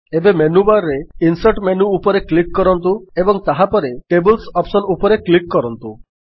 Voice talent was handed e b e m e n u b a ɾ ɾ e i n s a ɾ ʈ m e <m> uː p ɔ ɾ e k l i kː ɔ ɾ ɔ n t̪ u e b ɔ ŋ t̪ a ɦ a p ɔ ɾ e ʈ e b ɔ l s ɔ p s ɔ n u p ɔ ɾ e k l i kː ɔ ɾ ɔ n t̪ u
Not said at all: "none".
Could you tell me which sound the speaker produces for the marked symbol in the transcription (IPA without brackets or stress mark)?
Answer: n